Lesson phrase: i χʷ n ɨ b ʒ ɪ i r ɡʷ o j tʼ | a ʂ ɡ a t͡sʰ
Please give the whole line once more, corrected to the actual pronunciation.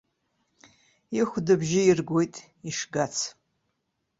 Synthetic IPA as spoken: i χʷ d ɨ b ʒ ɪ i r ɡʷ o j tʼ | i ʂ ɡ a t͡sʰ